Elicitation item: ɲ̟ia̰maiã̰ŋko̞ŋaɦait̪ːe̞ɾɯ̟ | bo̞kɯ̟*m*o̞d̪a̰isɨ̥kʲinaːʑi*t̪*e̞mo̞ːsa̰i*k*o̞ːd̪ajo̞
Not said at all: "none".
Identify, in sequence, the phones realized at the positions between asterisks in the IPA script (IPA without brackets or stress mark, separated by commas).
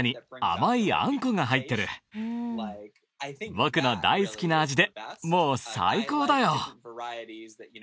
n, d̪, k